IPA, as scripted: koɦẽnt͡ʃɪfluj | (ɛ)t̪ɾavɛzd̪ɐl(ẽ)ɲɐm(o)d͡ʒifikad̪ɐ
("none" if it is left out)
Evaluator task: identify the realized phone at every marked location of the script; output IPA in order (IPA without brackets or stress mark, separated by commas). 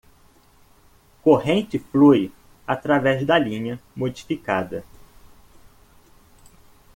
a, ĩ, o